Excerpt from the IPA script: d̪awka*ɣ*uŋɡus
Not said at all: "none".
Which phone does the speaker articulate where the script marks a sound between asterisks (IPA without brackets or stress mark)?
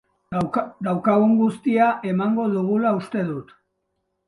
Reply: ɣ